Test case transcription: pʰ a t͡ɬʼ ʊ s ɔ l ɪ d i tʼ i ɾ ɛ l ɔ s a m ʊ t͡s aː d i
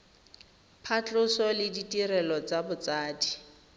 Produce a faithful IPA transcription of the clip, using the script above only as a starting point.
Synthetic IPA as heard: pʰ a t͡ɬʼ ʊ s ɔ l ɪ d i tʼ i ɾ ɛ l ɔ t͡s a b ʊ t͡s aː d i